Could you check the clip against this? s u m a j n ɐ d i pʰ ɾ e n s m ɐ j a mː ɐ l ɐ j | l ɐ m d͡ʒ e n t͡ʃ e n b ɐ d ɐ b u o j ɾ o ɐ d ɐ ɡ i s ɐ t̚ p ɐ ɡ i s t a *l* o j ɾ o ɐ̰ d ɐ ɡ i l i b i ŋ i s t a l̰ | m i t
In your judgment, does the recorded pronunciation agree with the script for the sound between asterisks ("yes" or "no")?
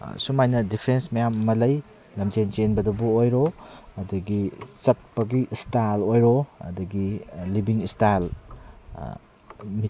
yes